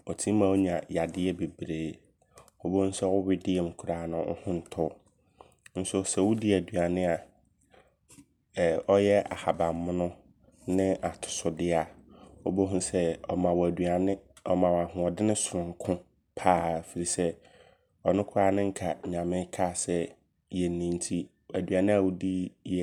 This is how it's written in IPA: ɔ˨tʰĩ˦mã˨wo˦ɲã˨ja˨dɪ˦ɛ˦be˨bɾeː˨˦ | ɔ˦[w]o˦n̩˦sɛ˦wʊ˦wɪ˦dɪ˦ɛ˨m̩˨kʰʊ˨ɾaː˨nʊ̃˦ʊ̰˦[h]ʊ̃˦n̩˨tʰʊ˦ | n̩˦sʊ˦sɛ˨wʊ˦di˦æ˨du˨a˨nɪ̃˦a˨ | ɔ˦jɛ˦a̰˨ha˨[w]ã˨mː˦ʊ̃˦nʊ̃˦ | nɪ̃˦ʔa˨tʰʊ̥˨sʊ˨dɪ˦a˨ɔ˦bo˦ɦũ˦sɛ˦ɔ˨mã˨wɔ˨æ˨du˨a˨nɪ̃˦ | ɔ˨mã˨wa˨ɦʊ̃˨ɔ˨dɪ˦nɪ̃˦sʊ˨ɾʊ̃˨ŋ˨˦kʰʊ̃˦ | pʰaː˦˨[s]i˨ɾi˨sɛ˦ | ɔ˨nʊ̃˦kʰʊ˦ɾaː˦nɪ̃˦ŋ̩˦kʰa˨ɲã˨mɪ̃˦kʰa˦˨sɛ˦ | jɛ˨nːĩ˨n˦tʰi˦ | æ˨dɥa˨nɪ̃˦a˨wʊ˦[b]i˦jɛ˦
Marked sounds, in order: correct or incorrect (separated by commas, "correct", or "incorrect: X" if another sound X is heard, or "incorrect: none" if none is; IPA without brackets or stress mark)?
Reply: incorrect: b, correct, incorrect: b, incorrect: f, incorrect: d